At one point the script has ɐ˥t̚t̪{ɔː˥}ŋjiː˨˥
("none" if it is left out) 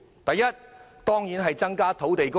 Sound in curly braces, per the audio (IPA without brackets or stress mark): ɔː˥